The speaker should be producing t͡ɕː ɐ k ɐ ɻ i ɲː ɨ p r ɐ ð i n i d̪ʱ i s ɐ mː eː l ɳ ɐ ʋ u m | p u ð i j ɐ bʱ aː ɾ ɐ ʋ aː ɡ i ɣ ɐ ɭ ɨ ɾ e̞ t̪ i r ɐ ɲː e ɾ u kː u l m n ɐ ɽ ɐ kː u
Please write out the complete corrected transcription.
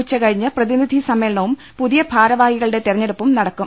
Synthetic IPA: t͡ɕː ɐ k ɐ ɻ i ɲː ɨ p r ɐ ð i n i d̪ʱ i s ɐ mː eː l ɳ ɐ ʋ u m | p u ð i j ɐ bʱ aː ɾ ɐ ʋ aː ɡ i ɣ ɐ ɭ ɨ ɽ e̞ t̪ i r ɐ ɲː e ɽ u pː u m n ɐ ɽ ɐ kː u